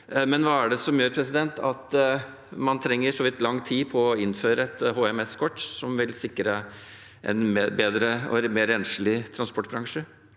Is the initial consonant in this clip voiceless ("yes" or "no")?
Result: no